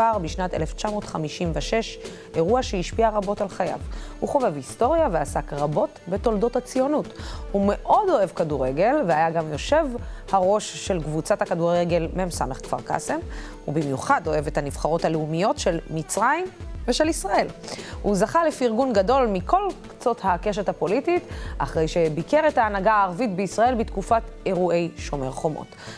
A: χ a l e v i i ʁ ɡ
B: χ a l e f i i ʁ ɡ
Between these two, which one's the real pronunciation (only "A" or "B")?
B